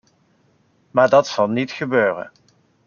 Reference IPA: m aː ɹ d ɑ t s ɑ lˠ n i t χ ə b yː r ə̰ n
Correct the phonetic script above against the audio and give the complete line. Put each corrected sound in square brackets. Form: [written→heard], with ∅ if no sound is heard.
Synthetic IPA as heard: m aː ɹ d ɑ t s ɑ lˠ n i t χ ə b [yː→øː] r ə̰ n